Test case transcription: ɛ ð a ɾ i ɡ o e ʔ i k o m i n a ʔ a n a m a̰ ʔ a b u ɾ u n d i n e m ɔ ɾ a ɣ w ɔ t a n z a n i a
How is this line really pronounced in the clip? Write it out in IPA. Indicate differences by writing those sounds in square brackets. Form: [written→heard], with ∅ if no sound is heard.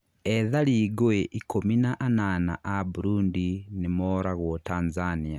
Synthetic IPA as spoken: ɛ ð a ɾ i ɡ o e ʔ i k o m i n a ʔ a n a [m→n] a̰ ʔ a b u ɾ u n d i n e m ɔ ɾ a ɣ w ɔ t a n z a n i a